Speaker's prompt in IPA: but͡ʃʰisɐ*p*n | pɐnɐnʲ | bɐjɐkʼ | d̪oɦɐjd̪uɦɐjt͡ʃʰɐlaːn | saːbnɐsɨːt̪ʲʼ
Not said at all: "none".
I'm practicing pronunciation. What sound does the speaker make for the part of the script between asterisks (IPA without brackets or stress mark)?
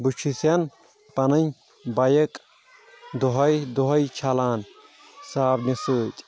none